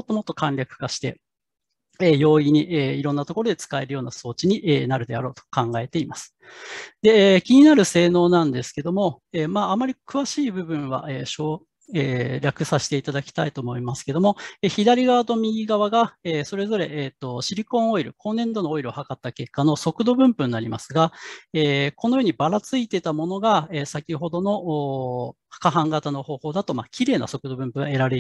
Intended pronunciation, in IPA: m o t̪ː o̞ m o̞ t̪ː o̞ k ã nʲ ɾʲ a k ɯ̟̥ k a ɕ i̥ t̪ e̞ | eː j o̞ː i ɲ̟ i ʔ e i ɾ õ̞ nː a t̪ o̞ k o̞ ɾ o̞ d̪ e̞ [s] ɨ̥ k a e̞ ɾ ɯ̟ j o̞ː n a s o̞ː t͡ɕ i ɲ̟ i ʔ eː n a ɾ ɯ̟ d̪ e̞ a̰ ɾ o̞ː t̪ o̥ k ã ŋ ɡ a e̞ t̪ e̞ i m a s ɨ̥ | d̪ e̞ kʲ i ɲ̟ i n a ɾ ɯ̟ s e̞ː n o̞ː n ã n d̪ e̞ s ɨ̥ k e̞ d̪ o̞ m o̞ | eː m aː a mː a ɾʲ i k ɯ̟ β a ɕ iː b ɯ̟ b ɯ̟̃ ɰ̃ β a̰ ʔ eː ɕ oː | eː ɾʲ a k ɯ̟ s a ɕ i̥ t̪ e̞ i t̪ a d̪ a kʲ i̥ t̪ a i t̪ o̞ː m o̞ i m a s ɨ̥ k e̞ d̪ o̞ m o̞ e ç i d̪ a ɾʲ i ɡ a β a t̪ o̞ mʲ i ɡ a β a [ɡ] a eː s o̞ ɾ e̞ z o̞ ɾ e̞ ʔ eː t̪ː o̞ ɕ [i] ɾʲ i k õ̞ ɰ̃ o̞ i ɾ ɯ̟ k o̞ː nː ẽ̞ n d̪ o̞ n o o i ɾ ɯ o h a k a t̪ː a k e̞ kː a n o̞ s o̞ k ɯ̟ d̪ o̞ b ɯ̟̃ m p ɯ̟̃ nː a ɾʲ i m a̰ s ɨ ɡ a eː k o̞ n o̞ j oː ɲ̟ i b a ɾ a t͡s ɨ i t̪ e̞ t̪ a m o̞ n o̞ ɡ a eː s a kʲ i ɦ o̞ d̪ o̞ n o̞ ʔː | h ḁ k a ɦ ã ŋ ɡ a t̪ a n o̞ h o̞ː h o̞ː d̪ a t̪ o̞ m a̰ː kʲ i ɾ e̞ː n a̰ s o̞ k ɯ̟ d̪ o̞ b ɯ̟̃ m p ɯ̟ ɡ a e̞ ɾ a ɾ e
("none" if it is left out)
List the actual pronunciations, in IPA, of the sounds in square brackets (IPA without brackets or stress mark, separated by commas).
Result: t͡s, ɡ, i